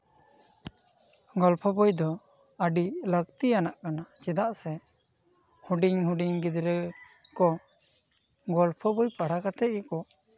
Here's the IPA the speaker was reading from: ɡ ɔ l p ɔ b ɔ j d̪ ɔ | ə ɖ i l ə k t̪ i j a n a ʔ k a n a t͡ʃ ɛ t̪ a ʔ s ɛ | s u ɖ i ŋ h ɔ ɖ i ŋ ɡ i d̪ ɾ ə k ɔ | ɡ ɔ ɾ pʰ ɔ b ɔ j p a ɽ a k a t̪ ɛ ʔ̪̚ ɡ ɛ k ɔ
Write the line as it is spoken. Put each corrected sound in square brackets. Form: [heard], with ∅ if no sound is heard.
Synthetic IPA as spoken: ɡ ɔ l [pʰ] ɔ b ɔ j d̪ ɔ | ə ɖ i l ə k t̪ i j a n a ʔ k a n a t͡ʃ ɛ [d̪] a ʔ s ɛ | [h] u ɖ i ŋ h [u] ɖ i ŋ ɡ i d̪ ɾ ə k ɔ | ɡ ɔ [l] pʰ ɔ b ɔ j p a ɽ a k a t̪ ɛ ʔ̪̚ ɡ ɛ k ɔ